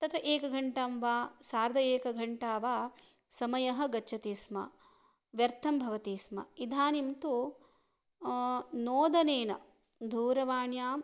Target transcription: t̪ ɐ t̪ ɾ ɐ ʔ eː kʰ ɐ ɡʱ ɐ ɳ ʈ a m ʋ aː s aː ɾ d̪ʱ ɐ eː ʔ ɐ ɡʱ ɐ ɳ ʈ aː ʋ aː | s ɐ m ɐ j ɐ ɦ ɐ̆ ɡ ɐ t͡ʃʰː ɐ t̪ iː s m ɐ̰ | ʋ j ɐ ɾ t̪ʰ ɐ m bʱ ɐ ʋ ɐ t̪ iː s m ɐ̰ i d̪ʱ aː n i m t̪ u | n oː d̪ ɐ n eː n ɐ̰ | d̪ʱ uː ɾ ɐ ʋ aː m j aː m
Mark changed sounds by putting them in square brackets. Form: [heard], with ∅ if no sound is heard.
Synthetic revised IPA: t̪ ɐ t̪ ɾ ɐ ʔ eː [k] ɐ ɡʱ ɐ ɳ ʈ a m ʋ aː s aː ɾ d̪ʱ ɐ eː [k] ɐ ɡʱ ɐ ɳ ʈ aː ʋ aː | s ɐ m ɐ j ɐ ɦ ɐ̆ ɡ ɐ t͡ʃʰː ɐ t̪ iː s m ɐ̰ | ʋ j ɐ ɾ t̪ʰ ɐ m bʱ ɐ ʋ ɐ t̪ iː s m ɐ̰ i d̪ʱ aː n i m t̪ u | n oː d̪ ɐ n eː n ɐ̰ | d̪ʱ uː ɾ ɐ ʋ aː [ɳ] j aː m